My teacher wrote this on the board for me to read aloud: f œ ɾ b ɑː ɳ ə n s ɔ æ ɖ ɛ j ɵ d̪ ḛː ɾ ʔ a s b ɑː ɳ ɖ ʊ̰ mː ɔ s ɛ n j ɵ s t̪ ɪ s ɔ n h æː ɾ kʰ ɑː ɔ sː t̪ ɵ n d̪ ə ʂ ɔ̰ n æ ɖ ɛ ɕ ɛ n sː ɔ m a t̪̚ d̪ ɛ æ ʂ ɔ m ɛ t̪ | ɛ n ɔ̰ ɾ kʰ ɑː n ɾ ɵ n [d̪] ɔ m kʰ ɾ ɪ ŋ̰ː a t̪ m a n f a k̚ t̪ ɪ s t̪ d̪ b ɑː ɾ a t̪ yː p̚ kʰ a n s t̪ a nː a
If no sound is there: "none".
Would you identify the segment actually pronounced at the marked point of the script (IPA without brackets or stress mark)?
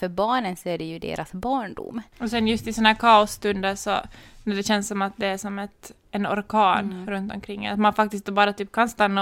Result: t̪